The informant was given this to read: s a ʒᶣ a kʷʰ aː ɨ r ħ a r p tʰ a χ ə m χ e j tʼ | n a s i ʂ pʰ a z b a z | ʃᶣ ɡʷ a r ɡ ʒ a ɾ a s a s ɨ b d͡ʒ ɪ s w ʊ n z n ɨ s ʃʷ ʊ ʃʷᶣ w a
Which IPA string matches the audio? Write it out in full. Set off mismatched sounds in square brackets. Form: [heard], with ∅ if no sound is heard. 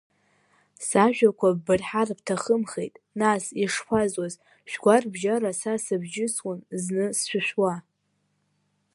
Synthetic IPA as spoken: s a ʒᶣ a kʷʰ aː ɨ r ħ a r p tʰ a χ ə m χ e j tʼ | n a s i ʂ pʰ a z [w] a z | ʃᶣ ɡʷ a r [b] ʒ a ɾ a s a s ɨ b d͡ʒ ɪ s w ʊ n z n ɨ s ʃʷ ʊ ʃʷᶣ w a

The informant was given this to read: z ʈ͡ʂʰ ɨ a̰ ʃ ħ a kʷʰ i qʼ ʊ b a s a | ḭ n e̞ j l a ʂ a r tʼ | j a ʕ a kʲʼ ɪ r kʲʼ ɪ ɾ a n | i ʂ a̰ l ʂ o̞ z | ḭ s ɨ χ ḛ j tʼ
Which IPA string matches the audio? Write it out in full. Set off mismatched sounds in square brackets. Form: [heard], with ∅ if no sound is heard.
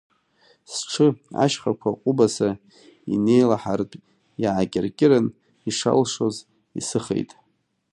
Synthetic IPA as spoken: [s] ʈ͡ʂʰ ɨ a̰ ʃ [χ] a kʷʰ [a] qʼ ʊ b a s a | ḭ n e̞ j l a [ħ] a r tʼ | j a ʕ a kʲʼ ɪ r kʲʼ ɪ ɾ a n | i ʂ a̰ l ʂ o̞ z | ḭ s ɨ χ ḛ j tʼ

